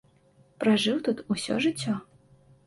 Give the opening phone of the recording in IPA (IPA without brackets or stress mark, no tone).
p